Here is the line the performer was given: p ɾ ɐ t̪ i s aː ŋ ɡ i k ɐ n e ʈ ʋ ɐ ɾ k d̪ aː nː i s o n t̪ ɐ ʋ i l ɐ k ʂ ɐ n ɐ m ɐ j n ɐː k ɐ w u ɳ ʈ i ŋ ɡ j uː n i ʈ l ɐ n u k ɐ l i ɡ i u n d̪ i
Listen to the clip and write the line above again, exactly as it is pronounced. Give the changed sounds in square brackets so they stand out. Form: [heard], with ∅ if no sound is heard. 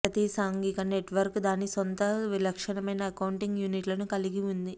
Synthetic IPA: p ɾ ɐ t̪ i s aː ŋ ɡ i k ɐ n e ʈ ʋ ɐ ɾ k d̪ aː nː i s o n t̪ ɐ ʋ i l ɐ k ʂ ɐ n ɐ m ɐ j n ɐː k ɐ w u ɳ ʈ i ŋ ɡ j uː n i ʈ l ɐ n u k ɐ l i ɡ i u n d̪ i